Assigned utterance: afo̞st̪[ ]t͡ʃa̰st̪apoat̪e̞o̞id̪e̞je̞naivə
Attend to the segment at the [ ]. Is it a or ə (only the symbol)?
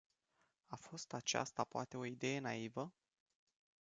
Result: a